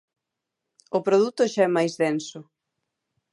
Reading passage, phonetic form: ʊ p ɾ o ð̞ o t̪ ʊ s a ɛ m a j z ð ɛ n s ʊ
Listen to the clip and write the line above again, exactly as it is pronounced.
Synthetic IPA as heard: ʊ p ɾ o ð̞ u t̪ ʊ ʃ a ɛ m a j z ð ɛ n s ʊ